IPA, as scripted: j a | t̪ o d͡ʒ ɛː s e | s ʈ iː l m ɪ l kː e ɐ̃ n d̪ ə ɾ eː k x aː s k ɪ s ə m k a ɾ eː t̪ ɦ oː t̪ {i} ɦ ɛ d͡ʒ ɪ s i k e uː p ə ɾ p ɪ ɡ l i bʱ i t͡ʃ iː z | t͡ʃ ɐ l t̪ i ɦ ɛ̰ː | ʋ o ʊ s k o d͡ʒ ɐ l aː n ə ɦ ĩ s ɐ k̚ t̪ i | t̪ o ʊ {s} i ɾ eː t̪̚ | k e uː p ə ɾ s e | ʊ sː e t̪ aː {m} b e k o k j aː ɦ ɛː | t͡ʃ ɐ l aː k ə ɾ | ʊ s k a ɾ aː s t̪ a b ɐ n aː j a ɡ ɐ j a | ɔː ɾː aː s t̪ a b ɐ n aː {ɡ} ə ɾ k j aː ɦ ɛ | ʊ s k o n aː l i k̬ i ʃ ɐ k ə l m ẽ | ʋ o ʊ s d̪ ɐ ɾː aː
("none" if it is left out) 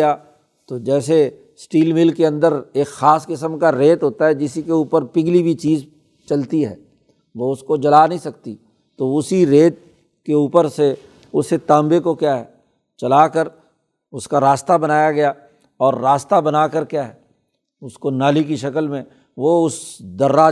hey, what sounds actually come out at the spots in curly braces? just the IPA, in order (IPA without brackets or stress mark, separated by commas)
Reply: a, s, m, k